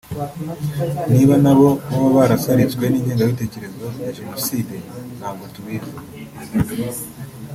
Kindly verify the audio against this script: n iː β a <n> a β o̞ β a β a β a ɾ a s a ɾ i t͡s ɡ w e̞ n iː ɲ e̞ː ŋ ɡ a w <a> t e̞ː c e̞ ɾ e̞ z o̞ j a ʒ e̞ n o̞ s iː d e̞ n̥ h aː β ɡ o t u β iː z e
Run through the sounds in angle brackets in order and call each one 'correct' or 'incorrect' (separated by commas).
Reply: correct, incorrect